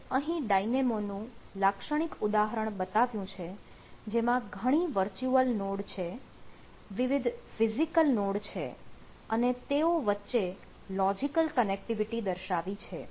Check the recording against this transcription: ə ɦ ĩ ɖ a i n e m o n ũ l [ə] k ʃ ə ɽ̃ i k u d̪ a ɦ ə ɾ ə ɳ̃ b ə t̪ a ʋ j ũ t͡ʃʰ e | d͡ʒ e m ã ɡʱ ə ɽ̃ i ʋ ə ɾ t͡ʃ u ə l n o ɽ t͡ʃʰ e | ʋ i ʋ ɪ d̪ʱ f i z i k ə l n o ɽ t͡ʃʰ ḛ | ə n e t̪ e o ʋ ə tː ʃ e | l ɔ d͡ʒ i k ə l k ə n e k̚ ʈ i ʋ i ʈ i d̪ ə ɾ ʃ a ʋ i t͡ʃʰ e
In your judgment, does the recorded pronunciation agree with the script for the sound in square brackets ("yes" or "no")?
no